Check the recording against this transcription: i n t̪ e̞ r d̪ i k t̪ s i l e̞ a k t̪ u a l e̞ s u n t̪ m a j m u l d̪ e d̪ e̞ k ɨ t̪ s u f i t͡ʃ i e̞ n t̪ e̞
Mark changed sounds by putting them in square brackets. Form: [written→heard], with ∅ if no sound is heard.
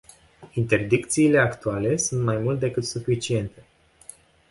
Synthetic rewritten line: i n t̪ e̞ r d̪ i k t̪ s [i→iː] l e̞ a k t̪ u a l e̞ s u n t̪ m a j m u l [d̪→t̪] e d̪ e̞ k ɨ t̪ s u f i t͡ʃ i e̞ n t̪ e̞